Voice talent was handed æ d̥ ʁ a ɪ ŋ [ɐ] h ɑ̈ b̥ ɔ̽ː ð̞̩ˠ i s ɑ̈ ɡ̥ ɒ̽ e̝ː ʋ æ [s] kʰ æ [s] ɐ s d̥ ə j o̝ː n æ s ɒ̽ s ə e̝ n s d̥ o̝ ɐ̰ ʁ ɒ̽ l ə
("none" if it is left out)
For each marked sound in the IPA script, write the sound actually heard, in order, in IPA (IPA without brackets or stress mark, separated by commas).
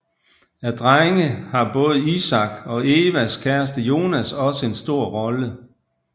ə, s, none